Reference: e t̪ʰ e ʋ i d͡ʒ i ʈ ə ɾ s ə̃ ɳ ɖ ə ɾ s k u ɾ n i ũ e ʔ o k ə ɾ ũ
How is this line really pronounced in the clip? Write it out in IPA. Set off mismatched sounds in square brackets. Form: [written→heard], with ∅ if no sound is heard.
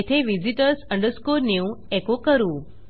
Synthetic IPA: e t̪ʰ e ʋ i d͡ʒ i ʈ ə ɾ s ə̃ ɳ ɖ ə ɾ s k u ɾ n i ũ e [ʔ→k] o k ə ɾ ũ